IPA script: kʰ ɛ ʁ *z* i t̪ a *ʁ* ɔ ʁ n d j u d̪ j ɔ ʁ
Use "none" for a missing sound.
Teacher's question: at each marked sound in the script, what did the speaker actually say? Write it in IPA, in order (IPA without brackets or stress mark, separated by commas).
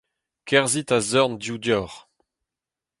z, z